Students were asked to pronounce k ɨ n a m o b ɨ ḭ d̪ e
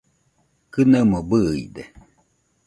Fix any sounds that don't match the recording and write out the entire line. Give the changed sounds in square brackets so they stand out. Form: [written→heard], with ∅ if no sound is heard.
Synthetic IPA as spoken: k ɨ n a m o b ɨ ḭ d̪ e